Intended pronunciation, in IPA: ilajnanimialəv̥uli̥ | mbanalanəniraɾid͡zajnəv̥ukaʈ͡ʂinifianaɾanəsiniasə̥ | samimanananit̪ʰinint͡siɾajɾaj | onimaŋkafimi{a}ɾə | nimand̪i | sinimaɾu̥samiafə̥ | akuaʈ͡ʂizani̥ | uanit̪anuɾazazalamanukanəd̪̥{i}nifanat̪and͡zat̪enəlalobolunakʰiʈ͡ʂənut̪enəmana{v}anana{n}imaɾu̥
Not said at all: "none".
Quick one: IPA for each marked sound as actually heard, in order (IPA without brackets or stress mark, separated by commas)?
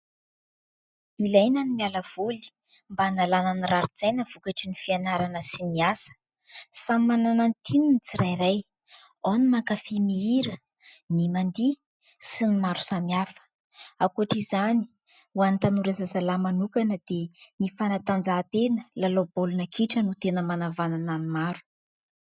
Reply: i, e, v, n